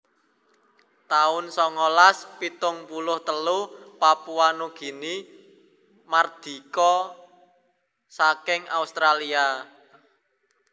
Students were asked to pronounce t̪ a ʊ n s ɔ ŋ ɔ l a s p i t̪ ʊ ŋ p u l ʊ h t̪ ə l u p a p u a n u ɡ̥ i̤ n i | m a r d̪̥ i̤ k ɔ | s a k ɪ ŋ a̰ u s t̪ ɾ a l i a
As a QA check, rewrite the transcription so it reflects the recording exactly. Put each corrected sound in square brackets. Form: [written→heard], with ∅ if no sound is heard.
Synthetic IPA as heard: t̪ a ʊ n s ɔ ŋ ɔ l a s p i t̪ ʊ ŋ p u l ʊ h t̪ ə l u p a p u a n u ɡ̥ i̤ n i | m a r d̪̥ i̤ k ɔ | s a k ɪ ŋ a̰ u s t̪ ɾ a l i a